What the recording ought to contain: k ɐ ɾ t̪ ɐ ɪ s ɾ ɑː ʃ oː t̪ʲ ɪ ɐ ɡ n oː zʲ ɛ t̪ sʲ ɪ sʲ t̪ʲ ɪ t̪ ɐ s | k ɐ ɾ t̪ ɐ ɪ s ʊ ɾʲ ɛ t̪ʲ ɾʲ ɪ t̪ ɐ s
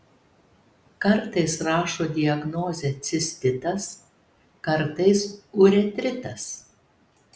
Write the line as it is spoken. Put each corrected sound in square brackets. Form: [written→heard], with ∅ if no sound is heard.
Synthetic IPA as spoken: k ɐ ɾ t̪ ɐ ɪ s ɾ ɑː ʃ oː [t̪ʲ→d̪ʲ] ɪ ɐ ɡ n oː zʲ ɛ t̪ sʲ ɪ sʲ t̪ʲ ɪ t̪ ɐ s | k ɐ ɾ t̪ ɐ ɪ s ʊ ɾʲ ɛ t̪ʲ ɾʲ ɪ t̪ ɐ s